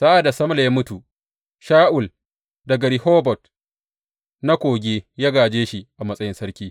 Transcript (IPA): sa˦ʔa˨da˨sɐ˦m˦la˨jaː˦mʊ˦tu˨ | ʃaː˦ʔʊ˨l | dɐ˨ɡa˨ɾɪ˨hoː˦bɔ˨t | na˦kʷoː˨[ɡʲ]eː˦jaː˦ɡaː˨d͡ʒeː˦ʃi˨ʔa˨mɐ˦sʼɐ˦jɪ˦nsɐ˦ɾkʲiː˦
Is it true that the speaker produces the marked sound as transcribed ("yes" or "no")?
yes